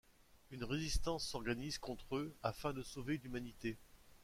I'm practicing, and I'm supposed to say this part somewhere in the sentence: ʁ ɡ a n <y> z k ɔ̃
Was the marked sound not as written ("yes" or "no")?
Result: yes